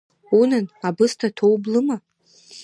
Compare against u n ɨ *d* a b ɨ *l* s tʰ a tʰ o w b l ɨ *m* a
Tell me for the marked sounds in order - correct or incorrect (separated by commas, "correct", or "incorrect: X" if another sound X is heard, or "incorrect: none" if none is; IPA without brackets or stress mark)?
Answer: incorrect: n, incorrect: none, correct